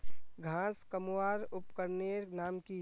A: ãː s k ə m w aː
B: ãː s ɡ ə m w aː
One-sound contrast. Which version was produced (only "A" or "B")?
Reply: A